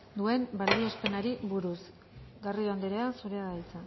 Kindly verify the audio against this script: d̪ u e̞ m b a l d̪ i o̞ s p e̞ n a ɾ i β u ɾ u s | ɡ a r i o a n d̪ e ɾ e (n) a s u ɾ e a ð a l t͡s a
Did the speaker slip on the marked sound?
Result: yes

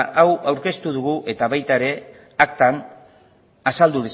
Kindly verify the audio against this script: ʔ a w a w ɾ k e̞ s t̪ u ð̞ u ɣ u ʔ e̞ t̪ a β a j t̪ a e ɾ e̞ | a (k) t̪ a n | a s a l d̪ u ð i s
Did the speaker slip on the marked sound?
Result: no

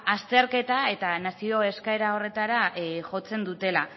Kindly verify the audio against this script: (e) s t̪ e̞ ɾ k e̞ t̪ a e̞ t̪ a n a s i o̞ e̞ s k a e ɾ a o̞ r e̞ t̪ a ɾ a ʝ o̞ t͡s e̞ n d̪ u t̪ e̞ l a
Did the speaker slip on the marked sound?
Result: yes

